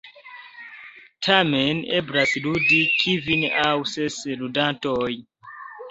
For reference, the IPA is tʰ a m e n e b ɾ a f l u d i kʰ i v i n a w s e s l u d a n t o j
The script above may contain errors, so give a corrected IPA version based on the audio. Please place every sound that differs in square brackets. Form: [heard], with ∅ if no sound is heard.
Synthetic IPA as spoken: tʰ a m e n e b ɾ a [s] l u d i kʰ i v i n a w s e s l u d a n t o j